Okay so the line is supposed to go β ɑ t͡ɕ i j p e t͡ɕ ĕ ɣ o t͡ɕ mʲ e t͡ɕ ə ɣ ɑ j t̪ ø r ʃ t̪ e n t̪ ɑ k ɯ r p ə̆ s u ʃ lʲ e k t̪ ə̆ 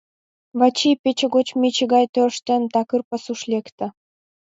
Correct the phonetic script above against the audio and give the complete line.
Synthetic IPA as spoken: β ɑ t͡ɕ i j p e t͡ɕ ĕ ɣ o t͡ɕ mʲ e t͡ɕ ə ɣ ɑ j t̪ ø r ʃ t̪ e n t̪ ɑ k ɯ r p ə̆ s u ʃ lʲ e k t̪ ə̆